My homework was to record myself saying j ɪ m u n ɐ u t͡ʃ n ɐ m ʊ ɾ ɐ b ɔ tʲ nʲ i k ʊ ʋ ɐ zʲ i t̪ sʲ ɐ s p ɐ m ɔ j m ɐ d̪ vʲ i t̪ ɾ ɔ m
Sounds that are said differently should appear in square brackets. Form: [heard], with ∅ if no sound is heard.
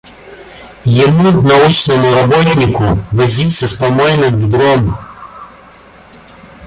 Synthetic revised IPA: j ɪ m u n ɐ u t͡ʃ n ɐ m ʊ ɾ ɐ b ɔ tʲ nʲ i k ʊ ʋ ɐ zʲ i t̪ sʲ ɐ s p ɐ m ɔ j [n] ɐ d̪ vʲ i [d̪] ɾ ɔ m

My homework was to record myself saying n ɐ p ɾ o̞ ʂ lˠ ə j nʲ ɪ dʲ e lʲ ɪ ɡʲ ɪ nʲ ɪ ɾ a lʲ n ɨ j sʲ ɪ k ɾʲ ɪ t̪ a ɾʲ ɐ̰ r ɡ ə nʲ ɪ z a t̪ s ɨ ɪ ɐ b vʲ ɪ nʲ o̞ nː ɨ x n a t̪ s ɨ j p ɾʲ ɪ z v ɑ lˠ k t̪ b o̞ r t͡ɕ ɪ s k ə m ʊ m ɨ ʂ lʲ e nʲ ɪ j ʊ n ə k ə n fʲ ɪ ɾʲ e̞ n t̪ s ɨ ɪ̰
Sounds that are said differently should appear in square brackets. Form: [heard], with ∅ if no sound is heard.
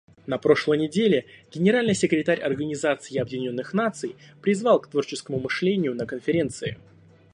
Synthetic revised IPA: n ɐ p ɾ o̞ ʂ lˠ ə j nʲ ɪ dʲ e lʲ ɪ ɡʲ ɪ nʲ ɪ ɾ a lʲ n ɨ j sʲ ɪ k ɾʲ ɪ t̪ a ɾʲ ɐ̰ r ɡ ə nʲ ɪ z a t̪ s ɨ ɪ ɐ b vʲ ɪ nʲ o̞ nː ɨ x n a t̪ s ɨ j p ɾʲ ɪ z v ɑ lˠ k t̪ [v] o̞ r t͡ɕ ɪ s k ə m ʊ m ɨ ʂ lʲ e nʲ ɪ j ʊ n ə k ə n fʲ ɪ ɾʲ e̞ n t̪ s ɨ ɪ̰

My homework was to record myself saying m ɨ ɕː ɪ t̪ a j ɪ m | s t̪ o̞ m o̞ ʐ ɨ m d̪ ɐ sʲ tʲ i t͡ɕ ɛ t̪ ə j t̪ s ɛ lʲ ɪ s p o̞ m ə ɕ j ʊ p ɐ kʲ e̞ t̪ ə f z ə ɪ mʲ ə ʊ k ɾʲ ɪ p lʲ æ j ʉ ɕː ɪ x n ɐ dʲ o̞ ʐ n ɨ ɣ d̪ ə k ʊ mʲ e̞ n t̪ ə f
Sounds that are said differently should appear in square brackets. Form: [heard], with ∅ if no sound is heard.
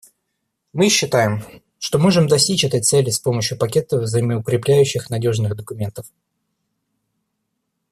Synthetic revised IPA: m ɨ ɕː ɪ t̪ a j ɪ m | [ʂ] t̪ o̞ m o̞ ʐ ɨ m d̪ ɐ sʲ tʲ i t͡ɕ ɛ t̪ ə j t̪ s ɛ lʲ ɪ s p o̞ m ə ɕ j ʊ p ɐ kʲ e̞ t̪ ə [v] z ə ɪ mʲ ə ʊ k ɾʲ ɪ p lʲ æ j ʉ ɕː ɪ x n ɐ dʲ o̞ ʐ n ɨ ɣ d̪ ə k ʊ mʲ e̞ n t̪ ə f

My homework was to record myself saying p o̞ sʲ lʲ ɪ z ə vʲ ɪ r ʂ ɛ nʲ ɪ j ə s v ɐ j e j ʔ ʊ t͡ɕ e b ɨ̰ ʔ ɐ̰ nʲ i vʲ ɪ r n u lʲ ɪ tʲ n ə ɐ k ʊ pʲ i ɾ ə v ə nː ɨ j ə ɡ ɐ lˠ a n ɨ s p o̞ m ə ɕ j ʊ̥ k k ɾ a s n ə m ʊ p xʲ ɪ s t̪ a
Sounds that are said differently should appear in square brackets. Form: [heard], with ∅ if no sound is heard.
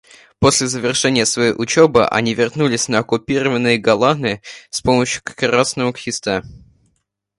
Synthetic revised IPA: p o̞ sʲ lʲ ɪ z ə vʲ ɪ r ʂ ɛ nʲ ɪ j ə s v ɐ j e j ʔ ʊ t͡ɕ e b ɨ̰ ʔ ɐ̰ nʲ i vʲ ɪ r n u lʲ ɪ [sʲ] n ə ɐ k ʊ pʲ i ɾ ə v ə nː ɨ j ə ɡ ɐ lˠ a n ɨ s p o̞ m ə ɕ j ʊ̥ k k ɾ a s n ə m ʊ [k] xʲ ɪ s t̪ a

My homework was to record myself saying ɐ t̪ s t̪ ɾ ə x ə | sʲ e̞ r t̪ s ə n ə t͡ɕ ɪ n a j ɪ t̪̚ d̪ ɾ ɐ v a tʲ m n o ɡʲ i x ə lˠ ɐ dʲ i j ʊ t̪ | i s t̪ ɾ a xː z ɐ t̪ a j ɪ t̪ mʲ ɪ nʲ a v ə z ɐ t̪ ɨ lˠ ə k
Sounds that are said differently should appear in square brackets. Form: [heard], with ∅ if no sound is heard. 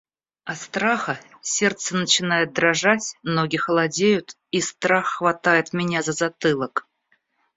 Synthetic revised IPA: ɐ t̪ s t̪ ɾ [a] x ə | sʲ e̞ r t̪ s ə n ə t͡ɕ ɪ n a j ɪ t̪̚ d̪ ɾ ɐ [ʐ] a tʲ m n o ɡʲ [ɪ] x ə lˠ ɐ dʲ [e] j ʊ t̪ | i s t̪ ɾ a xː [v] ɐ t̪ a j ɪ t̪ mʲ ɪ nʲ a [z] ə z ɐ t̪ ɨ lˠ ə k

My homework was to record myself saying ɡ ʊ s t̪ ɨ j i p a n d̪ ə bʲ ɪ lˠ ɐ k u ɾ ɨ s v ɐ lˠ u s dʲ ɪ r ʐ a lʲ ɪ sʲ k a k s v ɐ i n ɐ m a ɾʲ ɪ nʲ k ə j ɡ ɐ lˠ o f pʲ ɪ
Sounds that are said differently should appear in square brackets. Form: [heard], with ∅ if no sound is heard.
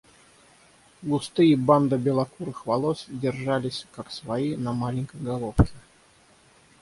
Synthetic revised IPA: ɡ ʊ s t̪ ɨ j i [b] a n d̪ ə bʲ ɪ lˠ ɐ k u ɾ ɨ [x] v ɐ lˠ [o] s dʲ ɪ r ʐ a lʲ ɪ sʲ k a k s v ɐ i n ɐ m a [lʲ] ɪ nʲ k ə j ɡ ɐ lˠ o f [kʲ] ɪ

